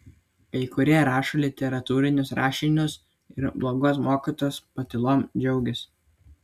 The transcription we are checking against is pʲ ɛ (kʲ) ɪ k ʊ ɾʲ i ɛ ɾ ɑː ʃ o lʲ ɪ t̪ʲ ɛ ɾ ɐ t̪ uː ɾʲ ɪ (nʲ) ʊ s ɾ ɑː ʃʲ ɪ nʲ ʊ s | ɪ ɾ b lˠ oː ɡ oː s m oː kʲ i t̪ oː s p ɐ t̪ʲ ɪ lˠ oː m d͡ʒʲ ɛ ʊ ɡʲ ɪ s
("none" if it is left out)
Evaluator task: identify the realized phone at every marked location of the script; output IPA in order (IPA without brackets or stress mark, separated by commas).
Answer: none, nʲ